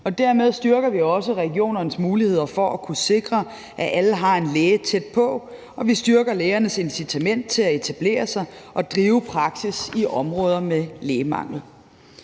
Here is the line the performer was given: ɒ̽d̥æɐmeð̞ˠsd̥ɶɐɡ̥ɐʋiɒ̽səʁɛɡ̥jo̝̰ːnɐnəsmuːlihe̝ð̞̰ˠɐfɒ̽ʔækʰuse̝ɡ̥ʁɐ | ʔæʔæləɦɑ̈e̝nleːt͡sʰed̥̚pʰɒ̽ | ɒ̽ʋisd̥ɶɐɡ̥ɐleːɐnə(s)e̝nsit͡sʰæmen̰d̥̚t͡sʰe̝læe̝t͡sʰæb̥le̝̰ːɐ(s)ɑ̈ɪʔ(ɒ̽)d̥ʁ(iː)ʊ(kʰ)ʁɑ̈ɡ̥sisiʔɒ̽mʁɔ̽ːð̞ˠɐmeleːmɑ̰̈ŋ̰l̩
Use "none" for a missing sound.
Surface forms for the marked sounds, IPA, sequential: s, s, ɒ̽, iː, pʰ

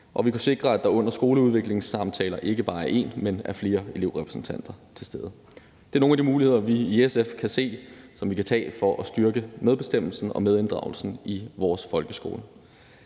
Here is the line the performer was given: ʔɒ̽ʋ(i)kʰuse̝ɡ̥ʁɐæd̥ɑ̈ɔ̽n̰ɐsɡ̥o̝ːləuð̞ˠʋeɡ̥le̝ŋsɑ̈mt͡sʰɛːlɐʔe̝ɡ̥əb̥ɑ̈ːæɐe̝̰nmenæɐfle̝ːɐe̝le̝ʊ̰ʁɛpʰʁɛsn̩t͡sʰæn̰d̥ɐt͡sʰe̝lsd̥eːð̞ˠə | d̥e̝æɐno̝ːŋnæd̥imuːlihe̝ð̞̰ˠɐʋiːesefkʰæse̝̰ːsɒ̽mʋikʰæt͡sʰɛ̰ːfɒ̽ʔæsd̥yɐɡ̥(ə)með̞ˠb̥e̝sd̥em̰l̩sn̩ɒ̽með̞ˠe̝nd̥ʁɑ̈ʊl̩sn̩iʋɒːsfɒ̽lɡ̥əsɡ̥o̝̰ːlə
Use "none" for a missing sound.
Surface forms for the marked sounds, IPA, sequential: i, ə

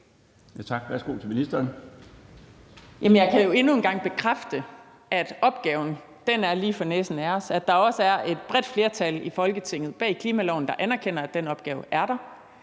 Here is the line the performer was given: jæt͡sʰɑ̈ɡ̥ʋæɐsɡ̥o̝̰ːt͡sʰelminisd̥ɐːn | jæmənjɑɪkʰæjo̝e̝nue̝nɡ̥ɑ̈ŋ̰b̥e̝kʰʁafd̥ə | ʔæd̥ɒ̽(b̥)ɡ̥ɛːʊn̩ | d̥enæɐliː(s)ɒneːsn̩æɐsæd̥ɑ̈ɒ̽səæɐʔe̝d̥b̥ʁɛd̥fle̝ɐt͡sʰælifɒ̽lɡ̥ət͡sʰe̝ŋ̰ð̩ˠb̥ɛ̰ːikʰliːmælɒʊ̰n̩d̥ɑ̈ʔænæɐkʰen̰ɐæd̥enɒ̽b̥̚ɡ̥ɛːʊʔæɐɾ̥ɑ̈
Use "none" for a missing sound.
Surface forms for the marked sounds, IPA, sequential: b̥, f

